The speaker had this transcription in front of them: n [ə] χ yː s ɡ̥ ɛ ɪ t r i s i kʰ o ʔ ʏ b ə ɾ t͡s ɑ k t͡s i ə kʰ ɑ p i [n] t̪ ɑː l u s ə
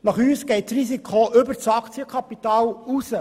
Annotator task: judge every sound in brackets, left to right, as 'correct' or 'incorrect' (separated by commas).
incorrect, incorrect